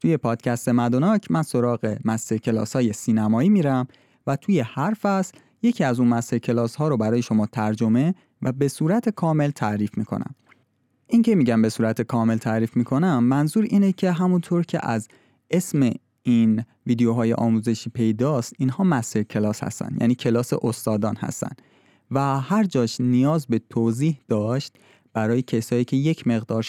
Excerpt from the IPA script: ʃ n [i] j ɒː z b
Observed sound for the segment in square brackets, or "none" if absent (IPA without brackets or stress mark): i